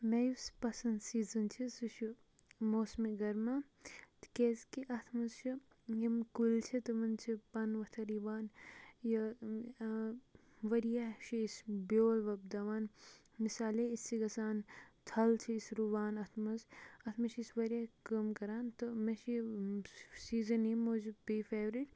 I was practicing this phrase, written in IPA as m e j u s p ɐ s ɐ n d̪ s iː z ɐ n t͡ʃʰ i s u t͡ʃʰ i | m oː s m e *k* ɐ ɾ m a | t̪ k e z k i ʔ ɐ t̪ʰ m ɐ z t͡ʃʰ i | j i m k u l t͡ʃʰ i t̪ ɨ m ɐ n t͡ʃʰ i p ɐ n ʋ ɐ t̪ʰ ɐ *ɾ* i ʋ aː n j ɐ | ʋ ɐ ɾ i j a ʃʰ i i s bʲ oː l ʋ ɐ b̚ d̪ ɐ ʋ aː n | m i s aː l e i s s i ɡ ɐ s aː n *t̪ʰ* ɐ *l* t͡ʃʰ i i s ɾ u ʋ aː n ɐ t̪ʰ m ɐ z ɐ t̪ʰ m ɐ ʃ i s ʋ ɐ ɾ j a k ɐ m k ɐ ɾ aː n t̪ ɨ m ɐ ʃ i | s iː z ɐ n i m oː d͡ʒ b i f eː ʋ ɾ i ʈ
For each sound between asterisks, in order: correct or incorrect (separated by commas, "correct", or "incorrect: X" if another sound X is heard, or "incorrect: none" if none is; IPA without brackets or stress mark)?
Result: incorrect: ɡ, correct, correct, correct